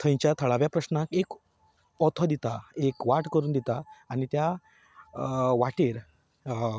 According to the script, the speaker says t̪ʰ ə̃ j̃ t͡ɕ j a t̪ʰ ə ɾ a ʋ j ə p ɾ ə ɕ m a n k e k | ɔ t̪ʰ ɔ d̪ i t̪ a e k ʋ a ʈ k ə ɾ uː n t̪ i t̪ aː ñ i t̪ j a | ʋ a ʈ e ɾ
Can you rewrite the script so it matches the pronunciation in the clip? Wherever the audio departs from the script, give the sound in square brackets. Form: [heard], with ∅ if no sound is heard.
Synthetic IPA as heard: t̪ʰ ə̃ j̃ t͡ɕ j a t̪ʰ ə [ɭ] a ʋ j [a] p ɾ ə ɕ [n] a [∅] k e k | ɔ t̪ʰ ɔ d̪ i t̪ a e k ʋ a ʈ k ə ɾ uː n [d̪] i t̪ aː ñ i t̪ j a | ʋ a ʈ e ɾ